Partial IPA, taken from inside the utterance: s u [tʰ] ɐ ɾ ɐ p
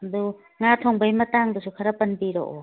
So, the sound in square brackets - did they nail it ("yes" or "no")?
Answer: no